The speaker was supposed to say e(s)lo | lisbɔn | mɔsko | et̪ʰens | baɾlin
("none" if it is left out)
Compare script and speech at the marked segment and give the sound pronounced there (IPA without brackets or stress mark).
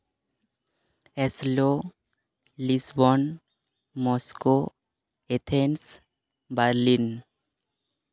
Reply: s